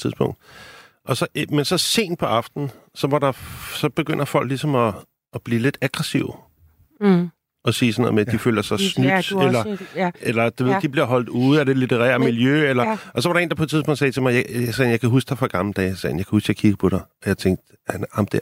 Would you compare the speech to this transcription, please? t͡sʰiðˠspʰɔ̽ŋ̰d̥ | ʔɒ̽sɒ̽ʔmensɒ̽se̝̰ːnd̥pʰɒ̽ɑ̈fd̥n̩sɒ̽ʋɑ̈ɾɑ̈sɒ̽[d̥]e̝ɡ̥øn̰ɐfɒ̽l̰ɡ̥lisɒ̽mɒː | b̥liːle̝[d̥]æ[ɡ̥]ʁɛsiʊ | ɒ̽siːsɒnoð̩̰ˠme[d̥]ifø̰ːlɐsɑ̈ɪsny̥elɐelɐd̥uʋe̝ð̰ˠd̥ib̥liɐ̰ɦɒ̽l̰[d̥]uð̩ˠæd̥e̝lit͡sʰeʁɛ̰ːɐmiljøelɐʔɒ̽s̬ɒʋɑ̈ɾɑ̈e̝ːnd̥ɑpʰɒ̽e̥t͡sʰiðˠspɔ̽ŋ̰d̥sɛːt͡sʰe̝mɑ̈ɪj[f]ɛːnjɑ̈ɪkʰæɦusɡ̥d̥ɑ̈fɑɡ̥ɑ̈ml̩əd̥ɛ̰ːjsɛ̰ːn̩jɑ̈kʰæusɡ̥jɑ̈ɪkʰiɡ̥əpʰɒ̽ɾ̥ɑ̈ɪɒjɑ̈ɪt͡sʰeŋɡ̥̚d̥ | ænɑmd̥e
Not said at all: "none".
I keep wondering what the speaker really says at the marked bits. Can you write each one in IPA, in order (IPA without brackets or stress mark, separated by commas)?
b̥, d̥, ɡ̥, d̥, d̥, s